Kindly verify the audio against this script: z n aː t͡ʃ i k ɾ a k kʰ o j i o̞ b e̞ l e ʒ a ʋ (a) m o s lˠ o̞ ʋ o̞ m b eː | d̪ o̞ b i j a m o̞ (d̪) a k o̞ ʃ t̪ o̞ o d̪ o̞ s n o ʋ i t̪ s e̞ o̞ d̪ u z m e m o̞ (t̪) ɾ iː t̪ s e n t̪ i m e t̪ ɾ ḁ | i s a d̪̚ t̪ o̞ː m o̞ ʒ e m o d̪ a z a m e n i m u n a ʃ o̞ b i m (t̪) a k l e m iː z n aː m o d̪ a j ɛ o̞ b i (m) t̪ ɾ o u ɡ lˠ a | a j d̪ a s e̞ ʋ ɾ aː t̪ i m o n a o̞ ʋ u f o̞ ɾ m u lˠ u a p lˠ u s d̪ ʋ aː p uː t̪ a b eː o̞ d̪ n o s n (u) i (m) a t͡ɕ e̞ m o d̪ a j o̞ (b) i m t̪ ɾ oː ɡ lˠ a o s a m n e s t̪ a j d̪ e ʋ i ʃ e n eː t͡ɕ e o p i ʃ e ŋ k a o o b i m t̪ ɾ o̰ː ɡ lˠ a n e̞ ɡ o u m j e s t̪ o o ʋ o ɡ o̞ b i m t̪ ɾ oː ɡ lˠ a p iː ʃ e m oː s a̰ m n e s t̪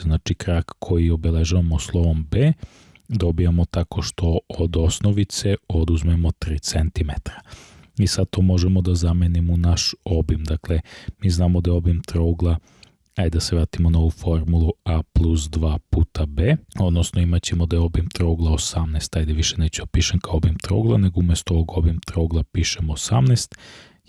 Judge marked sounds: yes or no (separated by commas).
yes, no, yes, no, yes, no, yes, yes